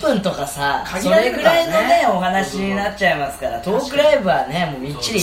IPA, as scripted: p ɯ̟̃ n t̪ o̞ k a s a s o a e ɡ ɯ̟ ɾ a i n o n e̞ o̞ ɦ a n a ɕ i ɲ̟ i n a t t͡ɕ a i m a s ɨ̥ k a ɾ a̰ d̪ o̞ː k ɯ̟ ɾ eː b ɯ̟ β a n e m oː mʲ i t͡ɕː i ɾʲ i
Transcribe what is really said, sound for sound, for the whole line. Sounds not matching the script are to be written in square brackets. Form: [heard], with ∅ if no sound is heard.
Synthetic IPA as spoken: p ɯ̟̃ n t̪ o̞ k a s a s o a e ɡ ɯ̟ ɾ a i n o n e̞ o̞ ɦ a n a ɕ i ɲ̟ i n a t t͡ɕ a i m a s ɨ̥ k a ɾ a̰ [t̪] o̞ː k ɯ̟ ɾ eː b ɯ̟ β a n e m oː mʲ i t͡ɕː i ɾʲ i